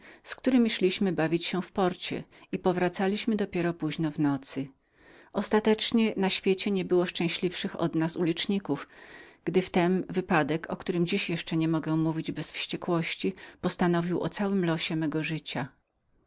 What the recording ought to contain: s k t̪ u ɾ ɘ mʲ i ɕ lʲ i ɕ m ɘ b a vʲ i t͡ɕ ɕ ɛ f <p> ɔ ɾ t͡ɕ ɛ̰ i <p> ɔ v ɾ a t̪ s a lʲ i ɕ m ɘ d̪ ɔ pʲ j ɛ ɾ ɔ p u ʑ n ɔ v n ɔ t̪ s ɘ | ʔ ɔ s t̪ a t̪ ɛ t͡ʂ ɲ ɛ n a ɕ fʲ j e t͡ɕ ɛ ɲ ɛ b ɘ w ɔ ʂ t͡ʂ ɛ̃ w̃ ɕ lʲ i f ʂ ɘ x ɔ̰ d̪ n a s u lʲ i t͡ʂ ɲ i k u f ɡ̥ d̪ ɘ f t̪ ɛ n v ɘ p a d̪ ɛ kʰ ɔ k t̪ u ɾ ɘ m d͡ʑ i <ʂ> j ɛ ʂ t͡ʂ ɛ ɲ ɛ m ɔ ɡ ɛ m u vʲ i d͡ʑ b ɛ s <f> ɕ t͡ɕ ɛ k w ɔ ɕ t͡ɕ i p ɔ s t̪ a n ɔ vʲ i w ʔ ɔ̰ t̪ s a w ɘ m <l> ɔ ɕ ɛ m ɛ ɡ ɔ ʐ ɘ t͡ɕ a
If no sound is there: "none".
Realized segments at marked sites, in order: p, p, ɕ, f, l

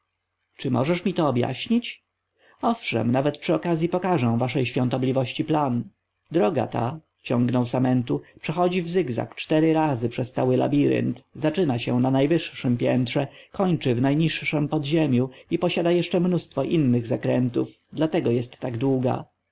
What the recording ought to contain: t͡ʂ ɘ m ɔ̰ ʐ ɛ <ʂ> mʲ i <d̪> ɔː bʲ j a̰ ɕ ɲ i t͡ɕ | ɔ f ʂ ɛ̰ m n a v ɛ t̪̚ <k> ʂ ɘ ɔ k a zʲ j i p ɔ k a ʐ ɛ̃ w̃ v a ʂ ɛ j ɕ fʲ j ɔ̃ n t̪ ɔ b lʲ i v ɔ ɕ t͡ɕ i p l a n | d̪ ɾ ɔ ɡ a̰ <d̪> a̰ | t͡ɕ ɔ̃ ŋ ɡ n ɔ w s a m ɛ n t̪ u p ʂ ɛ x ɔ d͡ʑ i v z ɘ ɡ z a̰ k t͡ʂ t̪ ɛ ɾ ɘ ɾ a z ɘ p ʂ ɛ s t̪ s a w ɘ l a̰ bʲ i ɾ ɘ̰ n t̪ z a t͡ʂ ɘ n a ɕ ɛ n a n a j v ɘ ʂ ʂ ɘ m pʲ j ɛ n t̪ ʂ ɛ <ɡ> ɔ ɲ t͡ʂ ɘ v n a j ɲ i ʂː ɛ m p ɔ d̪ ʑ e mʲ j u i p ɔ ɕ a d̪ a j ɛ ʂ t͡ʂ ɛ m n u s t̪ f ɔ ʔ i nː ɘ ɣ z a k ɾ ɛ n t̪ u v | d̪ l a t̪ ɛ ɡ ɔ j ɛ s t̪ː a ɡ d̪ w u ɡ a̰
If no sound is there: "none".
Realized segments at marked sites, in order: ʂ, t̪, p, t̪, k

